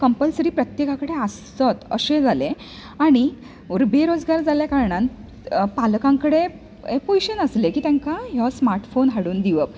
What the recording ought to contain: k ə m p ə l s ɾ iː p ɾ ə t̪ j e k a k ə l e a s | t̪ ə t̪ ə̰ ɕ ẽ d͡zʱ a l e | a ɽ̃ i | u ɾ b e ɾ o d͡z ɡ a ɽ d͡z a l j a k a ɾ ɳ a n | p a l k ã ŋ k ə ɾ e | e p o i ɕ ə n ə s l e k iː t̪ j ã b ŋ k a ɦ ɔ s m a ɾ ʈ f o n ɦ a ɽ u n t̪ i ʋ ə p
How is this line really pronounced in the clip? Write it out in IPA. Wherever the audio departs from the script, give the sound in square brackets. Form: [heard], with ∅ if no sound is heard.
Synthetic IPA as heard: k ə m p ə l s ɾ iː p ɾ ə t̪ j e k a k ə [ɽ] e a s | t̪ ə t̪ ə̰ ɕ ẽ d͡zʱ a l e | a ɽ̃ i | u ɾ b e ɾ o d͡z ɡ a [ɾ] d͡z a l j a k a ɾ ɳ a n | p a l k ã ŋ k ə [ɽ] e | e p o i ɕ ə n ə s l e k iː t̪ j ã [∅] ŋ k a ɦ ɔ s m a ɾ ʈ f o n ɦ a ɽ [uː] n [d̪] i ʋ ə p